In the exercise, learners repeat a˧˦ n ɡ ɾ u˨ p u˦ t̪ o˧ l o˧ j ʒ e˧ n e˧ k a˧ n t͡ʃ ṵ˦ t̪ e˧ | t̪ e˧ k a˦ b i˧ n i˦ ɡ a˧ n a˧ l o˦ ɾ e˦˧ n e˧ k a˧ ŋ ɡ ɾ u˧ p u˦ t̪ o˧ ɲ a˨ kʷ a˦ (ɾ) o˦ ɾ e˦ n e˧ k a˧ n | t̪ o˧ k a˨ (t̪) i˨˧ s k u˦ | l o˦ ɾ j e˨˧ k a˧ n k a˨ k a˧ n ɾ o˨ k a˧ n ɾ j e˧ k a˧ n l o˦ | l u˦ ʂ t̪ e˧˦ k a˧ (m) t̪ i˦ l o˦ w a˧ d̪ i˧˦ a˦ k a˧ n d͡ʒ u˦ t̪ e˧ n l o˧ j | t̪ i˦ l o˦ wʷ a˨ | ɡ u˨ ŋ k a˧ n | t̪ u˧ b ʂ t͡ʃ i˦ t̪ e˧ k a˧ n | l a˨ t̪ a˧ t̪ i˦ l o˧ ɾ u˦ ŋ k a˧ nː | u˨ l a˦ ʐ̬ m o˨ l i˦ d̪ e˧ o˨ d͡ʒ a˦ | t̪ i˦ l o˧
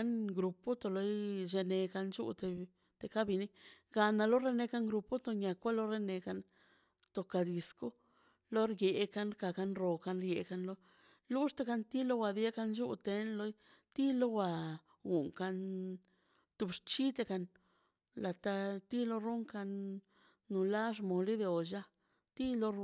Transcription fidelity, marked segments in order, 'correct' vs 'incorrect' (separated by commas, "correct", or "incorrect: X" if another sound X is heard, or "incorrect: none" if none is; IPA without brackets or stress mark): incorrect: l, incorrect: d̪, incorrect: n